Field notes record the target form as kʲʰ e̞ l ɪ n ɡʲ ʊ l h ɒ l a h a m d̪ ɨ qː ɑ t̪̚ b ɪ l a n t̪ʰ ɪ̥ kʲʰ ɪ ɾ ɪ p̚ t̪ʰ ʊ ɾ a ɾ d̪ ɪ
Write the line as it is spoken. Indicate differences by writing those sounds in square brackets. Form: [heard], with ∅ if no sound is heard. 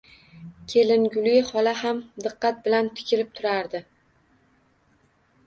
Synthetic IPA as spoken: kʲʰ e̞ l ɪ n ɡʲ ʊ l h ɒ l a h a m d̪ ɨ qː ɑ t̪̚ b ɪ l a n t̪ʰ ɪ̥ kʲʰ ɪ ɾ ɪ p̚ t̪ʰ ʊ ɾ a ɾ d̪ ɪ